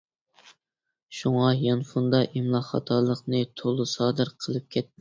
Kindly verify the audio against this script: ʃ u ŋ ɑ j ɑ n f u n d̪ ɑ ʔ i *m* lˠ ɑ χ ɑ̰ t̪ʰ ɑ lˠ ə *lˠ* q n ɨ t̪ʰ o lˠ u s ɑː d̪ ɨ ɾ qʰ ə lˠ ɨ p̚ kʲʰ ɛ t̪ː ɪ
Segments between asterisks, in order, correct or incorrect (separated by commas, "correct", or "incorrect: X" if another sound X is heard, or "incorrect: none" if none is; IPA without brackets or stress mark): correct, incorrect: none